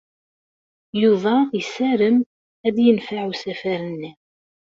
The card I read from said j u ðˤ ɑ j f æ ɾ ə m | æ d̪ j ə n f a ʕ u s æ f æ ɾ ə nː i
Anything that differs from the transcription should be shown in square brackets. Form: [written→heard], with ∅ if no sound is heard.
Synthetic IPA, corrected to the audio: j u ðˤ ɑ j [f→s] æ ɾ ə m | æ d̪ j ə n f a ʕ u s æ f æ ɾ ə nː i